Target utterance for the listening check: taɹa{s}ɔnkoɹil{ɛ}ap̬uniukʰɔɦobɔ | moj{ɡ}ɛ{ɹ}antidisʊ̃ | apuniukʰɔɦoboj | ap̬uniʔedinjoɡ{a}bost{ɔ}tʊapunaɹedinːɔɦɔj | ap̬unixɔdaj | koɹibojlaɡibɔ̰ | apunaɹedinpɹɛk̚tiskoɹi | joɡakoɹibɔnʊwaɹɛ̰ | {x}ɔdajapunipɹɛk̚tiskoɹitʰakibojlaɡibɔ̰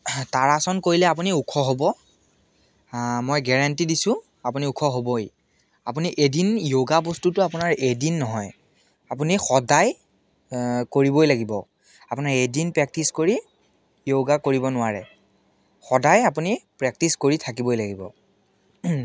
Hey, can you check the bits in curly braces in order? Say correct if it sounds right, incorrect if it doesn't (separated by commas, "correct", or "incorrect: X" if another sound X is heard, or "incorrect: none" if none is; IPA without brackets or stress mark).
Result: correct, correct, correct, correct, correct, incorrect: u, correct